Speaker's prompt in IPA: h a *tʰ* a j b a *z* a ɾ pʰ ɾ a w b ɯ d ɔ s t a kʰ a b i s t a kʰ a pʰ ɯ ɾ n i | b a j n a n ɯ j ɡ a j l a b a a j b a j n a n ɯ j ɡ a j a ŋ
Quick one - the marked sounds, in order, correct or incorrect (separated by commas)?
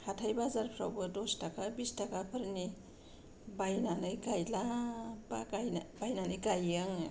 correct, correct